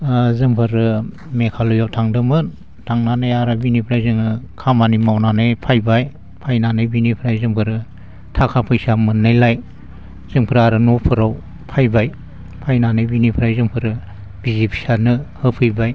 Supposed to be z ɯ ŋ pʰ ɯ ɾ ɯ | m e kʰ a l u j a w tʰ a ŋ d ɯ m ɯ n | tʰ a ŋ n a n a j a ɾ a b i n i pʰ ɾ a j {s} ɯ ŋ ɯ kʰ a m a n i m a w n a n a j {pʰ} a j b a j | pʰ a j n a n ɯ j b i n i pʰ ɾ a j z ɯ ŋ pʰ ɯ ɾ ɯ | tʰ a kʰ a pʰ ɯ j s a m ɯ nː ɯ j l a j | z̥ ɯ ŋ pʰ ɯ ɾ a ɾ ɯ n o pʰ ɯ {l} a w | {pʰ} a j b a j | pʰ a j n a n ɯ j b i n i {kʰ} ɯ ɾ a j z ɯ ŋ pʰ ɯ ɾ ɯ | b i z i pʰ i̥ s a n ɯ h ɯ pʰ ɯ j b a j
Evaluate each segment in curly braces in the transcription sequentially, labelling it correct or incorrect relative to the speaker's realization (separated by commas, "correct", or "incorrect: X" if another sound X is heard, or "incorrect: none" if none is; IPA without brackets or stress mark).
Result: incorrect: z, correct, incorrect: ɾ, correct, incorrect: pʰ